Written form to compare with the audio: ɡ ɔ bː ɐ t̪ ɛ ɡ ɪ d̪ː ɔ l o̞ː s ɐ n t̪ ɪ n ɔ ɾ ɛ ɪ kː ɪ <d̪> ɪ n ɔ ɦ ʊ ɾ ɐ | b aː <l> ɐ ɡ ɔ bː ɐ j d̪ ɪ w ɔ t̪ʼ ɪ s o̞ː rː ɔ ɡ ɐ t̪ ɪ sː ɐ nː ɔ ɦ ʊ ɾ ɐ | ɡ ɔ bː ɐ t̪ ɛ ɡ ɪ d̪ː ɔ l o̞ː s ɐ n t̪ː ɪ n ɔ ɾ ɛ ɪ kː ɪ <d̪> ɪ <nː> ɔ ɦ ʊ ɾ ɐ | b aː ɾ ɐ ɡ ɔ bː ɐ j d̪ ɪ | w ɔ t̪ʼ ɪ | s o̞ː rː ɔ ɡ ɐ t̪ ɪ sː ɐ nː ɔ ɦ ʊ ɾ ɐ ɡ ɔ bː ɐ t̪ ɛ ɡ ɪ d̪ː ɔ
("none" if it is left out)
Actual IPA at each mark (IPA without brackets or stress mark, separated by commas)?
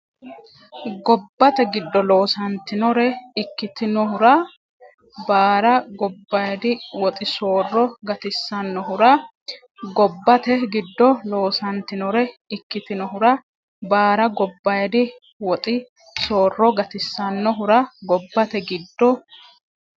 t̪, ɾ, t̪, n